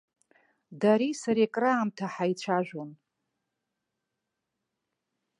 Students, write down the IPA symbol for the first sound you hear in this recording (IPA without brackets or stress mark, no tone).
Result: d